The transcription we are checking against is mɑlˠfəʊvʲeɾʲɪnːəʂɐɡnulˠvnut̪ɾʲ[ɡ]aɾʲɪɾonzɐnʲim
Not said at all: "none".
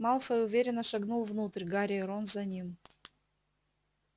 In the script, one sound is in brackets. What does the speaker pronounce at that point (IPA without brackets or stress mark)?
ɡ